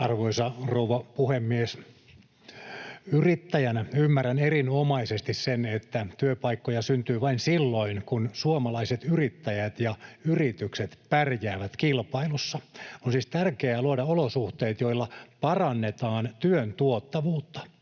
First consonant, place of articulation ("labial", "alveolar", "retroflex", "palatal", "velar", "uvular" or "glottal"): alveolar